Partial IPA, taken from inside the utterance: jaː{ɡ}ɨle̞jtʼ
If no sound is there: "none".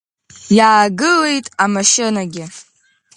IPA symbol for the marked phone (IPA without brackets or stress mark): ɡ